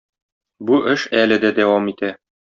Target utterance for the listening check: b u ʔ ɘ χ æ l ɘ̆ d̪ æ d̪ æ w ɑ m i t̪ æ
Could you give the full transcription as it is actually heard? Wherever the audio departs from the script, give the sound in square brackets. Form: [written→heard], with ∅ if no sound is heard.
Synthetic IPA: b u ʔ ɘ [χ→ʃ] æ l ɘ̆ d̪ æ d̪ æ w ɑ m i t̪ æ